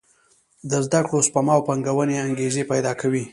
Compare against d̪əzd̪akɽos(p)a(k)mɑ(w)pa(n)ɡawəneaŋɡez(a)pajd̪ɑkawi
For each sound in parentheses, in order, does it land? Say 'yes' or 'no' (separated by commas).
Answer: yes, no, yes, no, no